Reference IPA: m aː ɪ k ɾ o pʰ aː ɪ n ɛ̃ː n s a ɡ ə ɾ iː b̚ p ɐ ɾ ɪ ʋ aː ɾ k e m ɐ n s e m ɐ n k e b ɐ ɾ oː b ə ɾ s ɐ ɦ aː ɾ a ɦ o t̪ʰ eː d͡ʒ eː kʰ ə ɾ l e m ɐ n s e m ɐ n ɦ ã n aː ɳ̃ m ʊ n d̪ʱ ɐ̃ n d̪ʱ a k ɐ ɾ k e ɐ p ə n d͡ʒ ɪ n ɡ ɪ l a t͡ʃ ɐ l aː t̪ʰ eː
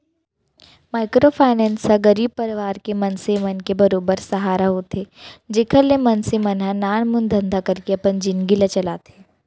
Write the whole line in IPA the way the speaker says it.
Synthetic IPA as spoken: m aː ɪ k ɾ o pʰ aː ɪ n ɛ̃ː n s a ɡ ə ɾ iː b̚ p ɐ ɾ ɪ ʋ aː ɾ k e m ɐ n s e m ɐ n k e b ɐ ɾ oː b ə ɾ s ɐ ɦ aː ɾ a ɦ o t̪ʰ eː d͡ʒ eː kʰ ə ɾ l e m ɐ n s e m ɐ n ɦ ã n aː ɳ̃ m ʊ n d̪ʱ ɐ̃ n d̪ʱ a k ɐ ɾ k e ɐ p ə n d͡ʒ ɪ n ɡ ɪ l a t͡ʃ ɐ l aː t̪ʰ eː